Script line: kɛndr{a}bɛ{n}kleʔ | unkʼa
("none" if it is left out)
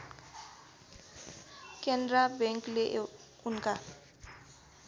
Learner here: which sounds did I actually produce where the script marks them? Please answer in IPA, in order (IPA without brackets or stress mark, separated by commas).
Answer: a, ŋ